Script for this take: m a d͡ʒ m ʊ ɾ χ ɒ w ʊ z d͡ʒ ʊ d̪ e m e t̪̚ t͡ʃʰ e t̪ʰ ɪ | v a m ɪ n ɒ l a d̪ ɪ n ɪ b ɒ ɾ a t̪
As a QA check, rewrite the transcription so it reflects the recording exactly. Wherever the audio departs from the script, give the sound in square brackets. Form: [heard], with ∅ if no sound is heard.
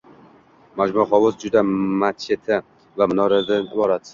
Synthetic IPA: m a d͡ʒ m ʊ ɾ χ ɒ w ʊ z d͡ʒ ʊ d̪ [a] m [a] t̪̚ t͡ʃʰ e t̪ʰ ɪ | v a m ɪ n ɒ [ɾ] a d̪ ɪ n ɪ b ɒ ɾ a t̪